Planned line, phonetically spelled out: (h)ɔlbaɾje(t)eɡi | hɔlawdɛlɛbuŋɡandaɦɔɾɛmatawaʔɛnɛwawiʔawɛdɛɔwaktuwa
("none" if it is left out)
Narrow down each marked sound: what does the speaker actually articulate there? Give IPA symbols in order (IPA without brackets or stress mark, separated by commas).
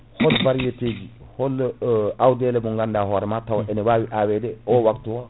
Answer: h, t